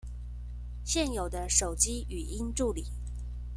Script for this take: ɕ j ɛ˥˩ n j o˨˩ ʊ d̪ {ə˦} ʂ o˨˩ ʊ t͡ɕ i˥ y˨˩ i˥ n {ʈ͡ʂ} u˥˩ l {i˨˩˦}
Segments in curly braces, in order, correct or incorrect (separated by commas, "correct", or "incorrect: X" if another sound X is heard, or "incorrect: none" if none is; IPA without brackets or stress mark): correct, correct, correct